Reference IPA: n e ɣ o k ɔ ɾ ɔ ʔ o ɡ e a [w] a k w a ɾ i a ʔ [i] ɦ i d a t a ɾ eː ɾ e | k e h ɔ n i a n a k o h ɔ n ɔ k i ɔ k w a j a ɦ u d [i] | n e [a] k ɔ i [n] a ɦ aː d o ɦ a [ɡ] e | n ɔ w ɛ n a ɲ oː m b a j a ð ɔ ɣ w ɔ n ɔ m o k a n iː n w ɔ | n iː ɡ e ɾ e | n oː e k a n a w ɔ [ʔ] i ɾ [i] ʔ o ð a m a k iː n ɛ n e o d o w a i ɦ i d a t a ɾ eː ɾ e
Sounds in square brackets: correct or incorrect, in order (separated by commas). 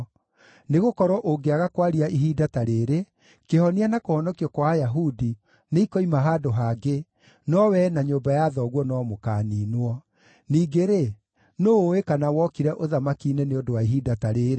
incorrect, correct, correct, incorrect, incorrect, correct, incorrect, incorrect